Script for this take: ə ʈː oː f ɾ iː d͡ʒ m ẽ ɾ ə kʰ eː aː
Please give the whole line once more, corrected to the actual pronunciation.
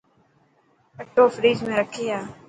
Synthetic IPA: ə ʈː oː f ɾ iː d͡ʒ m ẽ ɾ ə kʰ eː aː